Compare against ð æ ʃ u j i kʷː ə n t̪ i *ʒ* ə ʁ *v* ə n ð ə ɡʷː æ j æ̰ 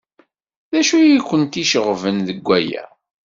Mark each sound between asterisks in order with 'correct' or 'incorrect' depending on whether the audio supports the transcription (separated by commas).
incorrect, correct